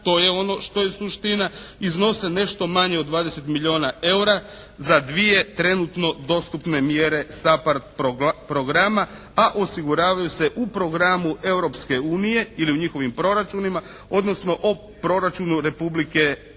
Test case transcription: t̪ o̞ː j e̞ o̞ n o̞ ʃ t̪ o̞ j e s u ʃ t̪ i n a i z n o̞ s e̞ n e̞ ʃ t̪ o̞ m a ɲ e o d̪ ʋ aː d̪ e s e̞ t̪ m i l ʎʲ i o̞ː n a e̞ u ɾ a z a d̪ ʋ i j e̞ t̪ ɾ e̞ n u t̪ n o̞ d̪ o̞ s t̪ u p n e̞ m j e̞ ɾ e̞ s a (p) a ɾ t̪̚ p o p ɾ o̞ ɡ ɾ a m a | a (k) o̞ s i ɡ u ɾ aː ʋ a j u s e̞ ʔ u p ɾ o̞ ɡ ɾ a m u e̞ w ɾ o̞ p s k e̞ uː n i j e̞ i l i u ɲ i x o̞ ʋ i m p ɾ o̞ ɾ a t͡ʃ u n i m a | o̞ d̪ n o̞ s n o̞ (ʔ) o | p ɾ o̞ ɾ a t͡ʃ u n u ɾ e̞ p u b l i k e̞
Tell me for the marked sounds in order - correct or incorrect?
correct, incorrect, correct

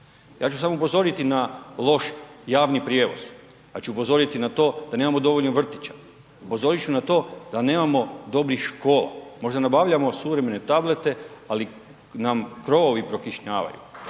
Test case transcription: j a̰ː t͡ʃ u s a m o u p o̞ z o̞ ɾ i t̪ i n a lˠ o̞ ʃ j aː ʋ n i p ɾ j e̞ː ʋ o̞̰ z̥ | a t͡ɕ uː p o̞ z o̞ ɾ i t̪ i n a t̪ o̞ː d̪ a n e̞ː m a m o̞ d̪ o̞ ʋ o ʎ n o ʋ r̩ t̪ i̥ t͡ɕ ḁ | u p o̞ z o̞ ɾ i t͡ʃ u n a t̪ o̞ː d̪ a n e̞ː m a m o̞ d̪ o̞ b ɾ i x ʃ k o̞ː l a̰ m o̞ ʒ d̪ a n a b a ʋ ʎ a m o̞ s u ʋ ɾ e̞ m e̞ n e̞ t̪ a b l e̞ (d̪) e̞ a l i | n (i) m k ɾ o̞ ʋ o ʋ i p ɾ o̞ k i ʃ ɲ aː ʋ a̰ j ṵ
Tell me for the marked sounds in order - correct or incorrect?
incorrect, incorrect

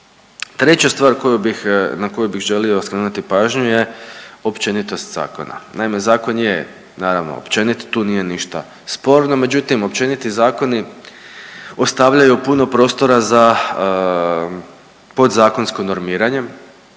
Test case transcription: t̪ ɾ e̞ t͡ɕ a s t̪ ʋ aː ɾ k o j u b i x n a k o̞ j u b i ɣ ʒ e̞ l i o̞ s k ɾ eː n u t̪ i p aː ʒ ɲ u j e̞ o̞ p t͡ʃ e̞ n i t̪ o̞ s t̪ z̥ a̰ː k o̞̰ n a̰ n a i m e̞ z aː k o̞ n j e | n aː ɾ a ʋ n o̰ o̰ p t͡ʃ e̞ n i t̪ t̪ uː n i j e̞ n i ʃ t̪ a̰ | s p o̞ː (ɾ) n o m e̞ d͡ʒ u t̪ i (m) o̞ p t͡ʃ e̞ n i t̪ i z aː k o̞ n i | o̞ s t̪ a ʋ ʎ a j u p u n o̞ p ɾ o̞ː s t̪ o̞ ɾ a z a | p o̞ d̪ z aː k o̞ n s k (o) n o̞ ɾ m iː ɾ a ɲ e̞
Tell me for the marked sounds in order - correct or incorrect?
correct, correct, correct

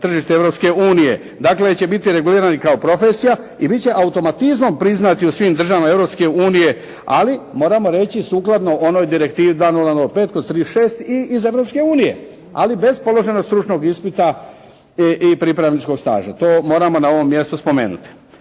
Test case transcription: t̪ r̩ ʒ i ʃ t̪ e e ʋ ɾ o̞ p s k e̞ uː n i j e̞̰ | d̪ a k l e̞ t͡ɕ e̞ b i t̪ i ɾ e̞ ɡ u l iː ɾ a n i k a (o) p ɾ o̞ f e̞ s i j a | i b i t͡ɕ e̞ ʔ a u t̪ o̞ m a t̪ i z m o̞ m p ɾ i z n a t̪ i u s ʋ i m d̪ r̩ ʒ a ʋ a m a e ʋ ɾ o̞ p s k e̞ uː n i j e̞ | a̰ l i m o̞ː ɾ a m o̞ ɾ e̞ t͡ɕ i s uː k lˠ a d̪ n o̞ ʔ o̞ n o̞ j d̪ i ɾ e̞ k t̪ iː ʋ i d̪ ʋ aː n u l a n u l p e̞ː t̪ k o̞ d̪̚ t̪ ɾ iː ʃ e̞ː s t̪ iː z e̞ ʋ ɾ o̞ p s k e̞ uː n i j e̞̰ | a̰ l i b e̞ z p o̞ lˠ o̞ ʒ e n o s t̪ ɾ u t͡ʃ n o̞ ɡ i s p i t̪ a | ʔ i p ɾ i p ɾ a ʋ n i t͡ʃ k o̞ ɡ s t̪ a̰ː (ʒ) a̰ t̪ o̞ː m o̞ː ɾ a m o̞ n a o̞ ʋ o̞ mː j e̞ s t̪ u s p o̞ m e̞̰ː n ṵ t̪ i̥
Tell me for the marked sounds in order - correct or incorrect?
correct, correct

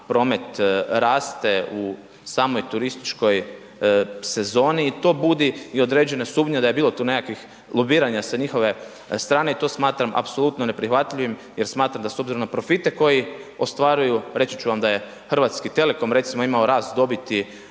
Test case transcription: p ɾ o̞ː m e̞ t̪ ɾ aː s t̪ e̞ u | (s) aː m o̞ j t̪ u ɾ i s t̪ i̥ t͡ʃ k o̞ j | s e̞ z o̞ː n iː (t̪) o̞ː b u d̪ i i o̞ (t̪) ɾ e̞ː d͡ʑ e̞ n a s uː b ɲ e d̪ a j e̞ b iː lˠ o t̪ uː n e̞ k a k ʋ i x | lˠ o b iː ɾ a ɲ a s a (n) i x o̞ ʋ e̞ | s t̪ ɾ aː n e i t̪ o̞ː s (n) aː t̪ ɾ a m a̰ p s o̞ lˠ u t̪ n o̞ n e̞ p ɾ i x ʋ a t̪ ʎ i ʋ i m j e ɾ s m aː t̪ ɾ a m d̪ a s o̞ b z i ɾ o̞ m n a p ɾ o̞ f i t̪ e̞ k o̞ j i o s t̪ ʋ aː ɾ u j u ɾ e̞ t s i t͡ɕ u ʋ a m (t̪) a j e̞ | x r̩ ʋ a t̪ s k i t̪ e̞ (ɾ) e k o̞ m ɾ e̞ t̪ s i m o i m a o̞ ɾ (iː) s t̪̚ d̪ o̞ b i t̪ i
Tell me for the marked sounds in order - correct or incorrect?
correct, correct, incorrect, incorrect, incorrect, incorrect, incorrect, incorrect

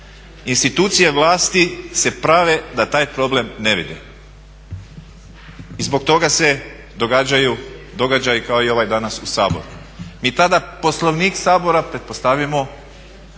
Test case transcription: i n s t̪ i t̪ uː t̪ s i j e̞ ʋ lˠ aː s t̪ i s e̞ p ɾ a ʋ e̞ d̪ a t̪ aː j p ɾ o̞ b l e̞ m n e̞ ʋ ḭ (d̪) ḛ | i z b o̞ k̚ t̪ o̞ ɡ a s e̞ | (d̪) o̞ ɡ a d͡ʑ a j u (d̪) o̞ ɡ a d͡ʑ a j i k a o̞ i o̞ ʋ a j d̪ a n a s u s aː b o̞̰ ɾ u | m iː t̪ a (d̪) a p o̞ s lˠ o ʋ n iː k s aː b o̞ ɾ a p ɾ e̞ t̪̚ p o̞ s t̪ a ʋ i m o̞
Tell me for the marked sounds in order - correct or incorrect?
correct, correct, correct, correct

